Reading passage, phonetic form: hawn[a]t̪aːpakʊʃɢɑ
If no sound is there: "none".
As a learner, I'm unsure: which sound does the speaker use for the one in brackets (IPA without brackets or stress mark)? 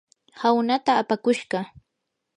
a